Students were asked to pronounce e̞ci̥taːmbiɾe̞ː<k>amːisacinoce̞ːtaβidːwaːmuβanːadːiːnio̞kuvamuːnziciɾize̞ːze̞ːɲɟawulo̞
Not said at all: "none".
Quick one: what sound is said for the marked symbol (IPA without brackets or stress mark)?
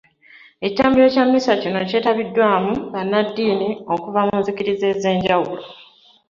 c